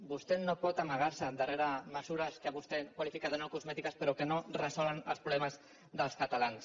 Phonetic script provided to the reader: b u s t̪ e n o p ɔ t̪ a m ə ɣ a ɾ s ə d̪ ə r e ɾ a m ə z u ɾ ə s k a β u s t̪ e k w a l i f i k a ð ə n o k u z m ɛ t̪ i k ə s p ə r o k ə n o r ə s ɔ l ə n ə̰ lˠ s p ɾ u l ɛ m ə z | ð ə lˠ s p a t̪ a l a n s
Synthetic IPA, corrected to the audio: b u s t̪ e n o p ɔ t̪ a m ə ɣ a ɾ s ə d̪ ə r e ɾ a m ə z u ɾ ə s k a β u s t̪ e k w a l i f i k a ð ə n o k u z m ɛ t̪ i k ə s p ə ɾ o k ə n o r ə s ɔ l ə n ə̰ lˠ s p ɾ u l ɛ m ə z | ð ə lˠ s k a t̪ a l a n s